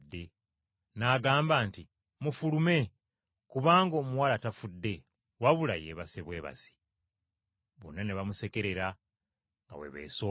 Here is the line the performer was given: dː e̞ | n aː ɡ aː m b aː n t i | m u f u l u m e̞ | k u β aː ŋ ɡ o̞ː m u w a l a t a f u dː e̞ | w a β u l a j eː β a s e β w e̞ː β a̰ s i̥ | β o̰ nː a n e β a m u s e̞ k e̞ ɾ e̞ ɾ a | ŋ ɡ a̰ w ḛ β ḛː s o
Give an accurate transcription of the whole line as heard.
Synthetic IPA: dː e̞ | n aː ɡ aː m b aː n t i | m u f u l u m e̞ | k u β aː ŋ ɡ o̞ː m u w a l a t a f u dː e̞ | w a β u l a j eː β a s e β w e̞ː β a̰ s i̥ | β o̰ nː a n e β a m u s e̞ k e̞ ɾ e̞ ɾ a | ŋ ɡ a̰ w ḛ β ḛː s o